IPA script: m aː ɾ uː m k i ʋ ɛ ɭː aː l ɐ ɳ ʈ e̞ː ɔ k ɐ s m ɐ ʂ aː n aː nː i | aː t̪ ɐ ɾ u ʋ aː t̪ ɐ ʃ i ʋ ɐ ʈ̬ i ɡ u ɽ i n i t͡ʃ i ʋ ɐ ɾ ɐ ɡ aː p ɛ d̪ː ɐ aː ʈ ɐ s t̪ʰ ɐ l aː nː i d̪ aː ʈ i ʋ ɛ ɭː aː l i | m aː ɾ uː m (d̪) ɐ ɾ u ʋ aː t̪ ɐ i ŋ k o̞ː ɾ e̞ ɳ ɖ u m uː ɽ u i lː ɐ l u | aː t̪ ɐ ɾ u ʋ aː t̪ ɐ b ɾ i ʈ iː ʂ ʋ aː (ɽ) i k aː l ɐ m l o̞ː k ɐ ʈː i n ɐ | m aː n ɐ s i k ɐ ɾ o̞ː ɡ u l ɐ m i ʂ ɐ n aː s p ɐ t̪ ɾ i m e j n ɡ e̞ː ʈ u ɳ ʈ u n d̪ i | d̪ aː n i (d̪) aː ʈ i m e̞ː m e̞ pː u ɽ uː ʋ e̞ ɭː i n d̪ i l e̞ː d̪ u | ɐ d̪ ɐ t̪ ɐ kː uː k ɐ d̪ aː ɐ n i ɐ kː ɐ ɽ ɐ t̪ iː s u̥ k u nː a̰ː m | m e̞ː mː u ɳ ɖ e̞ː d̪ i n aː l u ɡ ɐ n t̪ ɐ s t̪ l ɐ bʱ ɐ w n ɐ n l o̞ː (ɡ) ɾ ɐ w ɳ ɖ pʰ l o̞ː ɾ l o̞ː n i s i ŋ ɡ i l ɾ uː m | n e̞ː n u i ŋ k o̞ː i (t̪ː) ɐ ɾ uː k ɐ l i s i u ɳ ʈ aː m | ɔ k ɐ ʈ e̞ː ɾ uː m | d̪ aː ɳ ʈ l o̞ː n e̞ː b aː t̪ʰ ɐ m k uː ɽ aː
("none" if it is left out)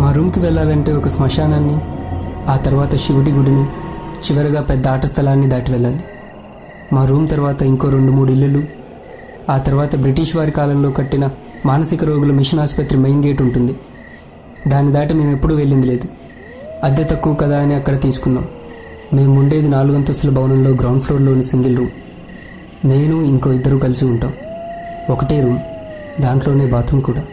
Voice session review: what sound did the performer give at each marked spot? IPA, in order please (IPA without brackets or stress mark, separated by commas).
t̪, ɾ, d̪, ɡ, d̪ː